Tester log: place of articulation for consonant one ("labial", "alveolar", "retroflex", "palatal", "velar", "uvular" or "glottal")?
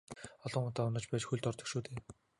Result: alveolar